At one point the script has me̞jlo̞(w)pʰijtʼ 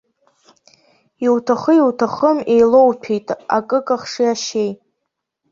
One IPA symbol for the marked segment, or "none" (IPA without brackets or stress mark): w